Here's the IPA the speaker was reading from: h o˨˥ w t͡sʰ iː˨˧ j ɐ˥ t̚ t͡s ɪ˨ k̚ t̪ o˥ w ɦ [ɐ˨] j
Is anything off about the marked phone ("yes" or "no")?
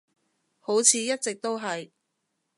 no